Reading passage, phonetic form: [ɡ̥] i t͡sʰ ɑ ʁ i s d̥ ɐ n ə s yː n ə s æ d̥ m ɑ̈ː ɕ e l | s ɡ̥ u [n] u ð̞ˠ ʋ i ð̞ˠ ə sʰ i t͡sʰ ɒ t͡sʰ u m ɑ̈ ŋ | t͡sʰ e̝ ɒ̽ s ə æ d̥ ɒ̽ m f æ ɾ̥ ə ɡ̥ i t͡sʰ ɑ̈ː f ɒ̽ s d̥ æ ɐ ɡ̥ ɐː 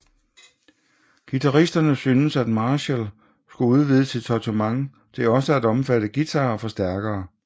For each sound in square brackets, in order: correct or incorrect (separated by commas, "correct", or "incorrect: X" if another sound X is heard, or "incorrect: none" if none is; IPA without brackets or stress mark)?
correct, incorrect: none